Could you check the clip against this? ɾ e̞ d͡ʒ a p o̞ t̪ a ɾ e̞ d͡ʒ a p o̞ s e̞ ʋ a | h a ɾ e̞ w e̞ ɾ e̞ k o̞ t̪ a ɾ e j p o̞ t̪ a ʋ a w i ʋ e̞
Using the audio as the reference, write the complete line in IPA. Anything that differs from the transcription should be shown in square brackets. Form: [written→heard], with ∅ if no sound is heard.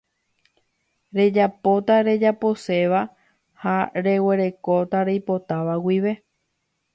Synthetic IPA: ɾ e̞ d͡ʒ a p o̞ t̪ a ɾ e̞ d͡ʒ a p o̞ s e̞ ʋ a | h a ɾ e̞ w e̞ ɾ e̞ k o̞ t̪ a ɾ e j p o̞ t̪ a ʋ a w i ʋ e̞